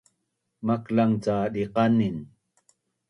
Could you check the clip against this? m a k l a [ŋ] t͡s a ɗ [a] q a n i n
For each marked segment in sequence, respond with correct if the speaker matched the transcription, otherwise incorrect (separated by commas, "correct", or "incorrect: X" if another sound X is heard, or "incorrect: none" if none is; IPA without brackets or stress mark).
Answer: correct, incorrect: i